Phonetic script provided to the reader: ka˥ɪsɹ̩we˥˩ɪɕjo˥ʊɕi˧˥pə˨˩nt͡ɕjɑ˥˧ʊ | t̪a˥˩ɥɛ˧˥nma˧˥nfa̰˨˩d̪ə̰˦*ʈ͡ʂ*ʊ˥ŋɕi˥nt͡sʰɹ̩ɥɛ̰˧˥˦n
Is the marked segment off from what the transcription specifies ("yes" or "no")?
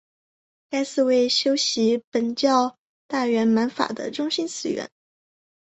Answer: no